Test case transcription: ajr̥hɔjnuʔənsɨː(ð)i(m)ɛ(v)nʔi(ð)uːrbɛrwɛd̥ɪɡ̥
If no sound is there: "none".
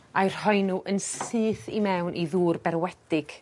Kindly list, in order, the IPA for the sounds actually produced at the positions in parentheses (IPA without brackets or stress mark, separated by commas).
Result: θ, m, w, ð